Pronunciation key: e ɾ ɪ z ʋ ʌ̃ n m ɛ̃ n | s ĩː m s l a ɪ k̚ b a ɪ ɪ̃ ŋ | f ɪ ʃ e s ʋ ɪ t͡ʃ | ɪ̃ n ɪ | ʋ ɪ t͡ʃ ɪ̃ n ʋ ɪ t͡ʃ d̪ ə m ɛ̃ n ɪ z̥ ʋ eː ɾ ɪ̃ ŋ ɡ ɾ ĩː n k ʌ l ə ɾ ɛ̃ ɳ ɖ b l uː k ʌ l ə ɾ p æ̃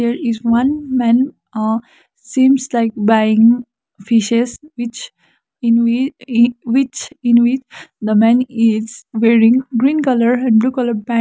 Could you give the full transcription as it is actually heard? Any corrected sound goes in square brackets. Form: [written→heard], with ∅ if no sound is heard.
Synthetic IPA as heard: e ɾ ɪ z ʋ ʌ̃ n m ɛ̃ n | s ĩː m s l a ɪ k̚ b a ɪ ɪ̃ ŋ | f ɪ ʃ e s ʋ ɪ t͡ʃ | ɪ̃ n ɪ | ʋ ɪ t͡ʃ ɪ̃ n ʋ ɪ t͡ʃ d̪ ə m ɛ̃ n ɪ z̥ ʋ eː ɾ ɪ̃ ŋ ɡ ɾ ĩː n k ʌ l ə ɾ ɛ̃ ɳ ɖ b l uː k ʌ l ə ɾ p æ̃